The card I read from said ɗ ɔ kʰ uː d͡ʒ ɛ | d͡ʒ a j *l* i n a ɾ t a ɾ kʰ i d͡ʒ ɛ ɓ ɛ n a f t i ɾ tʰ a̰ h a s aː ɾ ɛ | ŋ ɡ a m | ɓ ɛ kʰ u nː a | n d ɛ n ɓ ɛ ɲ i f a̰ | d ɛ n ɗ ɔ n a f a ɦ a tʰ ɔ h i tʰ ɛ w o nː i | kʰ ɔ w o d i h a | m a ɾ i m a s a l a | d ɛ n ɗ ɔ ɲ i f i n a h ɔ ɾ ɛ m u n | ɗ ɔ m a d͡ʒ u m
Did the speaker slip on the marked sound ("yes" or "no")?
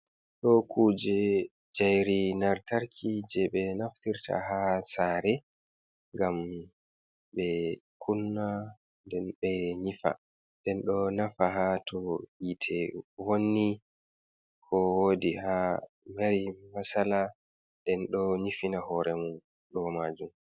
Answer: yes